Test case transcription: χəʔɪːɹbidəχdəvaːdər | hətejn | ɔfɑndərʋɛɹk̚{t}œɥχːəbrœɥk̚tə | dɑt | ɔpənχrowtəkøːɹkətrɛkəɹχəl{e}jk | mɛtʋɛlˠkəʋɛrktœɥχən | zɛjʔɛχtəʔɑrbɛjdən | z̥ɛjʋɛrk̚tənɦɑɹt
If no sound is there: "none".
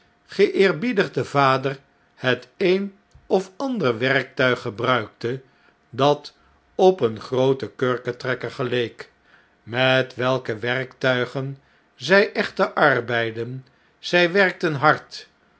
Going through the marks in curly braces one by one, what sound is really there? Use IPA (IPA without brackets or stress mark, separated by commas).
t, e